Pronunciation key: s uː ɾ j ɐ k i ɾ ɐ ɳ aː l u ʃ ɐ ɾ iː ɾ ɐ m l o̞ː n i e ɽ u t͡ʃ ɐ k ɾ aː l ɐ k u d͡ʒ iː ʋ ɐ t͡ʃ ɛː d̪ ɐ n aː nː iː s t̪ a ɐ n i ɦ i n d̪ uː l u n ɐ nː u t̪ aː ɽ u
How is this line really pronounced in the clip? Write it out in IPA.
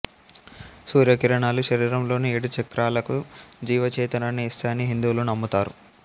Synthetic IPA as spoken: s uː ɾ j ɐ k i ɾ ɐ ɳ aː l u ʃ ɐ ɾ iː ɾ ɐ m l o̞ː n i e ɽ u t͡ʃ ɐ k ɾ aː l ɐ k u d͡ʒ iː ʋ ɐ t͡ʃ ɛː t̪ ɐ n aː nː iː s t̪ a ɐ n i ɦ i n d̪ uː l u n ɐ mː u t̪ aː ɾ u

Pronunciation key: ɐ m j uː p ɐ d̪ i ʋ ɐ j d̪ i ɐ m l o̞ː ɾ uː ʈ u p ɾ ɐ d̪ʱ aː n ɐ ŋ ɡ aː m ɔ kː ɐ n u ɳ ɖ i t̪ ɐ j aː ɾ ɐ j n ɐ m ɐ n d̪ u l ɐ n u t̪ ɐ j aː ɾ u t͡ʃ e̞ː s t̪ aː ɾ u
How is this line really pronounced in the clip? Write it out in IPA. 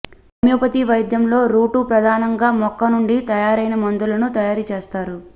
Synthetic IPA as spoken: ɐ m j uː p ɐ t̪ i ʋ ɐ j d̪ j ɐ m l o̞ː ɾ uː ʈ u p ɾ ɐ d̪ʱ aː n ɐ ŋ ɡ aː m ɔ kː ɐ n u ɳ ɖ i t̪ ɐ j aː ɾ ɐ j n ɐ m ɐ n d̪ u l ɐ n u t̪ ɐ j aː ɾ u t͡ʃ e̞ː s t̪ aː ɾ u

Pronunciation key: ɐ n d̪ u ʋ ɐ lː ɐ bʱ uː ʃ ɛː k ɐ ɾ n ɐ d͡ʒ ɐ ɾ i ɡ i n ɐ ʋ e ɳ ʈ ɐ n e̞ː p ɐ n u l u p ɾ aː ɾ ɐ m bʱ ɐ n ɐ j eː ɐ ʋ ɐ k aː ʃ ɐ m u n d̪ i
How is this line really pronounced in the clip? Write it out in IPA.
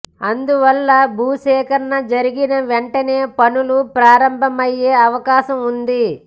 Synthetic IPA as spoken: ɐ n d̪ u ʋ ɐ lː ɐ bʱ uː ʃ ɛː k ɐ ɾ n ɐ d͡ʒ ɐ ɾ i ɡ i n ɐ ʋ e ɳ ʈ ɐ n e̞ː p ɐ n u l u p ɾ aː ɾ ɐ m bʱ ɐ m ɐ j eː ɐ ʋ ɐ k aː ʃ ɐ m u n d̪ i

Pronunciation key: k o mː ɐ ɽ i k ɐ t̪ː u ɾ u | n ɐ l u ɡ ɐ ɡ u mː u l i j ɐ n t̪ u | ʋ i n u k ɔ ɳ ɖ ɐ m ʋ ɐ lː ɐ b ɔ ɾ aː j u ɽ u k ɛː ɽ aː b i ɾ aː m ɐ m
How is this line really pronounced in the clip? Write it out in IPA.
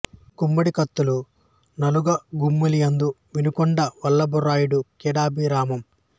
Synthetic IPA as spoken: k u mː ɐ ɽ i k ɐ t̪ː u l u | n ɐ l u ɡ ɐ ɡ u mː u l i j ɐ n d̪ u | ʋ i n u k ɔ ɳ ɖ ɐ ʋ ɐ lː ɐ b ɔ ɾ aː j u ɽ u k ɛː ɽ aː b i ɾ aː m ɐ m

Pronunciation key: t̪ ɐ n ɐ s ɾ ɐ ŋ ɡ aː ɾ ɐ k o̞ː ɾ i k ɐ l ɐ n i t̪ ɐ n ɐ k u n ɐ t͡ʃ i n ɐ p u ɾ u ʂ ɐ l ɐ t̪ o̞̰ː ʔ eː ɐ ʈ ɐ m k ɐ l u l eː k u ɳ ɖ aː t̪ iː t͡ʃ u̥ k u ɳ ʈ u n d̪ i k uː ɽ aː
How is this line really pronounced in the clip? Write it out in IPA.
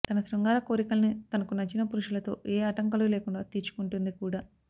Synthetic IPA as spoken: t̪ ɐ n ɐ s ɾ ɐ ŋ ɡ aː ɾ ɐ k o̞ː ɾ i k ɐ l ɐ n i t̪ ɐ n ɐ k u n ɐ t͡ʃ i n ɐ p u ɾ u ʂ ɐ l ɐ t̪ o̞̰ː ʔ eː ɐ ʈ ɐ ŋ k ɐ l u l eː k u ɳ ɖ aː t̪ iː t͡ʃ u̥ k u ɳ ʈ u n d̪ i k uː ɽ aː

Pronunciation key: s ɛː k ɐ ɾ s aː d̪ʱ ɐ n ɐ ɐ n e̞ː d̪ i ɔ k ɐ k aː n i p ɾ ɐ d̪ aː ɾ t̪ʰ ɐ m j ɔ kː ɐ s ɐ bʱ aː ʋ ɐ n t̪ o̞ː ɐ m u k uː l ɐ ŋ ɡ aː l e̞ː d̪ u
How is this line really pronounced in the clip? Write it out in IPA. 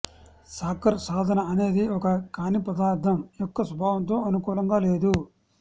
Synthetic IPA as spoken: s aː k ɐ ɾ s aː d̪ʱ ɐ n ɐ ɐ n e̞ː d̪ i ɔ k ɐ k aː n i p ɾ ɐ d̪ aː ɾ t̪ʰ ɐ m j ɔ kː ɐ s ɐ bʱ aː ʋ ɐ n t̪ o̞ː ɐ n u k uː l ɐ ŋ ɡ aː l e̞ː d̪ u

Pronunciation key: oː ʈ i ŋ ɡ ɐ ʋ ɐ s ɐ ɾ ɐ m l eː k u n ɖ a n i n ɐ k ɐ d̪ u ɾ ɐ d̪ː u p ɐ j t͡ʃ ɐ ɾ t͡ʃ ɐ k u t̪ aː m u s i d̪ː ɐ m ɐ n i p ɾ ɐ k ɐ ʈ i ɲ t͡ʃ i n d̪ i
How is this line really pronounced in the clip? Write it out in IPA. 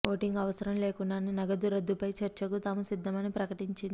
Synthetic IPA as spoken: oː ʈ i ŋ ɡ ɐ ʋ ɐ s ɐ ɾ ɐ m l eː k u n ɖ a n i n ɐ ɡ ɐ d̪ u ɾ ɐ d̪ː u p ɐ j t͡ʃ ɐ ɾ t͡ʃ ɐ k u t̪ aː m u s i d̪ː ɐ m ɐ n i p ɾ ɐ k ɐ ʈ i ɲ t͡ʃ i n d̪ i

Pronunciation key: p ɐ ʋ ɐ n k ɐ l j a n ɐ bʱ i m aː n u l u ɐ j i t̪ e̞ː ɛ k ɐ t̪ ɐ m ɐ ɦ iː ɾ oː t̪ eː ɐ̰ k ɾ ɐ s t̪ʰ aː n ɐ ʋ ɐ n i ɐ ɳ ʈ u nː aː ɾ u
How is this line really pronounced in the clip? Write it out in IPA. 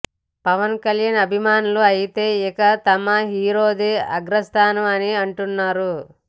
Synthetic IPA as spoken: p ɐ ʋ ɐ n k ɐ l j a n ɐ bʱ i m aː n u l u ɐ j i t̪ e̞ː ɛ k ɐ t̪ ɐ m ɐ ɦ iː ɾ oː d̪ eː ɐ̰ ɡ ɾ ɐ s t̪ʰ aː n ɐ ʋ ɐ n i ɐ ɳ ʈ u nː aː ɾ u

